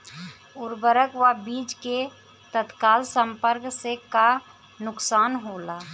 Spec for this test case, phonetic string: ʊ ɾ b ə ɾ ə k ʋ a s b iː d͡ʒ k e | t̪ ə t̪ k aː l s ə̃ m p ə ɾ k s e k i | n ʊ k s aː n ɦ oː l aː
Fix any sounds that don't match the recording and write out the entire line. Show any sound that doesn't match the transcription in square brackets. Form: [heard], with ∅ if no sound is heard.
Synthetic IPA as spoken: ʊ ɾ b ə ɾ ə k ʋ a [∅] b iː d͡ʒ k e | t̪ ə t̪ k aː l s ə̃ m p ə ɾ k s e k [a] | n ʊ k s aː n ɦ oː l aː

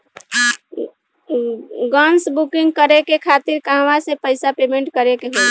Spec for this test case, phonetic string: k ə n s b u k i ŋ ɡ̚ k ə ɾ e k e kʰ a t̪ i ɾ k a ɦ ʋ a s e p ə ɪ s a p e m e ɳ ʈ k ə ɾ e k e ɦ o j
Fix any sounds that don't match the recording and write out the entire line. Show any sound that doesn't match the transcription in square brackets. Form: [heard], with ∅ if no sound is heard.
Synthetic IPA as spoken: [ɡ] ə n s b u k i ŋ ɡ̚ k ə ɾ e k e kʰ a t̪ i ɾ k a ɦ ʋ a s e p ə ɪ s a p e m e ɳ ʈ k ə ɾ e k e ɦ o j

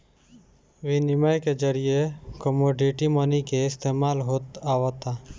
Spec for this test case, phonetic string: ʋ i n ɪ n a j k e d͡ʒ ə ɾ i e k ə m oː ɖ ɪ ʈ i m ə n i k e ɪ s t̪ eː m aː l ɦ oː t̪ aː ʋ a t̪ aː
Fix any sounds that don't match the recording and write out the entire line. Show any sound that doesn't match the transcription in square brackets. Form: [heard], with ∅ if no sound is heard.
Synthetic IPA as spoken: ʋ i n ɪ [m] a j k e d͡ʒ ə ɾ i e k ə m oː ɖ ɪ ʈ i m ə n i k e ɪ s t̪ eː m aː l ɦ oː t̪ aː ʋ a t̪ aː

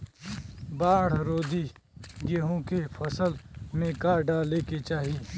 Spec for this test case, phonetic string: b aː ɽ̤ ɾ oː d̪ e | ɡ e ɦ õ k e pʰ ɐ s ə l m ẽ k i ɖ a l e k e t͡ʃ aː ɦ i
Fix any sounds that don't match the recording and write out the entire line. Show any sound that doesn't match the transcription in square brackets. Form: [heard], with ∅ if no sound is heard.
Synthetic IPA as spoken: b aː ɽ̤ ɾ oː d̪ [i] | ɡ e ɦ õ k e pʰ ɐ s ə l m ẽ k [a] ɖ a l e k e t͡ʃ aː ɦ i

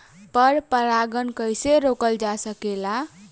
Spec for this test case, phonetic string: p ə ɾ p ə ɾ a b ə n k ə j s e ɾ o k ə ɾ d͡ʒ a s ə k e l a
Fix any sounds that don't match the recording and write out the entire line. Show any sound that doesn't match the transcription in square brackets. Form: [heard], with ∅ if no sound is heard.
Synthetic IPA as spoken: p ə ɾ p ə ɾ a [ɡ] ə n k ə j s e ɾ o k ə [l] d͡ʒ a s ə k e l a

